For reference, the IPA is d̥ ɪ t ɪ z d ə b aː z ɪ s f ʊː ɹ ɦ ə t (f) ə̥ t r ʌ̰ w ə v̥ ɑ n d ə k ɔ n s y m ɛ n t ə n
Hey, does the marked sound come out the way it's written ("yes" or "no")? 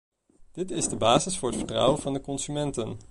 yes